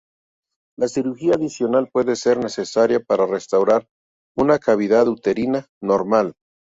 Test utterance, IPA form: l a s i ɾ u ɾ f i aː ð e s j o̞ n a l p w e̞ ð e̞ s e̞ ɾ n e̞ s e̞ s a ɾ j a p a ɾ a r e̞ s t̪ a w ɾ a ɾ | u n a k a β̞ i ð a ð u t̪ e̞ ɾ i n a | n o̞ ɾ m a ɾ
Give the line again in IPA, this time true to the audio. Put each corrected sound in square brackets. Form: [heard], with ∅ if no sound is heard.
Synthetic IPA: l a s i ɾ u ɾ [x] i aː ð [i] s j o̞ n a l p w e̞ ð e̞ s e̞ ɾ n e̞ s e̞ s a ɾ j a p a ɾ a r e̞ s t̪ a w ɾ a ɾ | u n a k a β̞ i ð a ð u t̪ e̞ ɾ i n a | n o̞ ɾ m a [l]